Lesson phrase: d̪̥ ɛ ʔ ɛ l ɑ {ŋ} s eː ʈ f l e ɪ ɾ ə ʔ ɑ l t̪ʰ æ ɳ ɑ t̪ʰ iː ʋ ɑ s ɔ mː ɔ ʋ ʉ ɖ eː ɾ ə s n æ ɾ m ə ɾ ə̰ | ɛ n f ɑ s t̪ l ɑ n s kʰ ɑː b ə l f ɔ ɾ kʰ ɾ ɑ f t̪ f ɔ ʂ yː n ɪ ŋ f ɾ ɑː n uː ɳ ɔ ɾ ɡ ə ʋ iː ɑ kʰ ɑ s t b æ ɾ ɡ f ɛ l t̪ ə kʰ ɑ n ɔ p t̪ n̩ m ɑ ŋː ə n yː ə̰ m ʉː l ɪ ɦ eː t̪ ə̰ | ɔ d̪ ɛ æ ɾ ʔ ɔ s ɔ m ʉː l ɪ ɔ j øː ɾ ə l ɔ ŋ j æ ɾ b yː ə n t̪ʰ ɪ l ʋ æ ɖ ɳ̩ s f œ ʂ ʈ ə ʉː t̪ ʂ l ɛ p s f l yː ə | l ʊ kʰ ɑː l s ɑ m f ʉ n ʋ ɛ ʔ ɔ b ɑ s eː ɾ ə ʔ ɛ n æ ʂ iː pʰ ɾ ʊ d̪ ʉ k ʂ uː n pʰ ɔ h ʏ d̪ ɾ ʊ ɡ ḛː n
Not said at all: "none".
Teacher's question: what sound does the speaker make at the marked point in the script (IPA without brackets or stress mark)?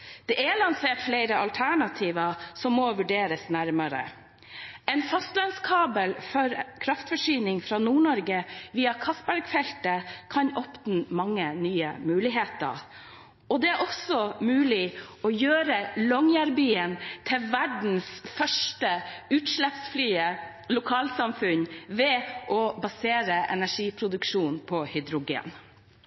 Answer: n